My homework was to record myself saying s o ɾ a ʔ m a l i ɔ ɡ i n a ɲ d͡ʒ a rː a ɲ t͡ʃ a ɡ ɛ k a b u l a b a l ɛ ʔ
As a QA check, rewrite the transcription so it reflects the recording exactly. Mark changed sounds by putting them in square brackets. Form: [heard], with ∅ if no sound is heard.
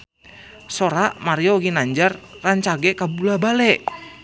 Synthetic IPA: s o ɾ a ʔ m a [ɾ] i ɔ ɡ i n a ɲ d͡ʒ a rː a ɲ t͡ʃ a ɡ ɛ k a b u l a b a l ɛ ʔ